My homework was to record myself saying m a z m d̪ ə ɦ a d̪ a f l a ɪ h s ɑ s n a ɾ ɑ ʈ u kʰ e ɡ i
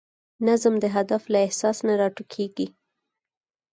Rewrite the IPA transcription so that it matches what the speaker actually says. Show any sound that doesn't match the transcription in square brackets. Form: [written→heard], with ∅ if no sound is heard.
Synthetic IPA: [m→n] a z m d̪ ə ɦ a d̪ a f l a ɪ h s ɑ s n a ɾ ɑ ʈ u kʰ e ɡ i